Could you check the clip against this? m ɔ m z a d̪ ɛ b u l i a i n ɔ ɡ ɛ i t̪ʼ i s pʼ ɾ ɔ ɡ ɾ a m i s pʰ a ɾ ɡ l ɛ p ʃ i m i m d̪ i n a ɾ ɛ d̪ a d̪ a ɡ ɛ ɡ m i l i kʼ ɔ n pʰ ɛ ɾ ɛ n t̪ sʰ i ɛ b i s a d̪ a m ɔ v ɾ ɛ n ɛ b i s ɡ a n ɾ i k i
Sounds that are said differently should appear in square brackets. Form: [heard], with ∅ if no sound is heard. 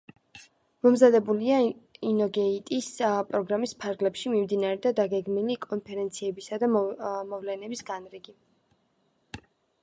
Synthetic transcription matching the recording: m ɔ m z a d̪ ɛ b u l i a i n ɔ ɡ ɛ i t̪ʼ i s pʼ ɾ ɔ ɡ ɾ a m i s pʰ a ɾ ɡ l ɛ p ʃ i m i m d̪ i n a ɾ ɛ d̪ a d̪ a ɡ ɛ ɡ m i l i kʼ ɔ n pʰ ɛ ɾ ɛ n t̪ sʰ i ɛ b i s a d̪ a m ɔ v [l] ɛ n ɛ b i s ɡ a n ɾ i [ɡ] i